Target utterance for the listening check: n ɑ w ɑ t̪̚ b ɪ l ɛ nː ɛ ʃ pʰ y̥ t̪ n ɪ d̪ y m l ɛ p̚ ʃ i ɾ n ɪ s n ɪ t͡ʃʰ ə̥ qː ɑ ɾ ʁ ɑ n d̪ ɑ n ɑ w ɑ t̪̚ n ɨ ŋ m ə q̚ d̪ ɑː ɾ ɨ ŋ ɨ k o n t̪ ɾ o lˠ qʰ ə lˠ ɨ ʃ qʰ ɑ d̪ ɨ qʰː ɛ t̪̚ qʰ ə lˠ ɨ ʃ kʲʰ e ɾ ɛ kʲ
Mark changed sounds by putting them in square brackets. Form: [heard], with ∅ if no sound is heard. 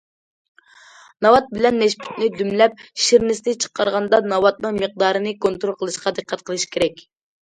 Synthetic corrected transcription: n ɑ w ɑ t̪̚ b ɪ l ɛ nː ɛ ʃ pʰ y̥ t̪ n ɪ d̪ y m l ɛ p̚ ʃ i ɾ n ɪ s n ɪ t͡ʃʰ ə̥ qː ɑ ɾ ʁ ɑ n d̪ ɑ n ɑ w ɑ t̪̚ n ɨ ŋ m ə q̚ d̪ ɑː ɾ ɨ [n] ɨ k o n t̪ ɾ o lˠ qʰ ə lˠ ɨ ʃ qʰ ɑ d̪ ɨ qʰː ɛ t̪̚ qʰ ə lˠ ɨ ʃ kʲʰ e ɾ ɛ kʲ